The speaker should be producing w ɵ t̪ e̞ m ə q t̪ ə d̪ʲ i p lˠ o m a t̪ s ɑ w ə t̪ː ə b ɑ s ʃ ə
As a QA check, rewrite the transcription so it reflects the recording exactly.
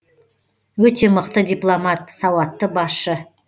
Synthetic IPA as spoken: w ɵ t̪ e̞ m ə q t̪ ə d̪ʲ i p lˠ o m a t̪ s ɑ w ɑ t̪ː ə b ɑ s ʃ ə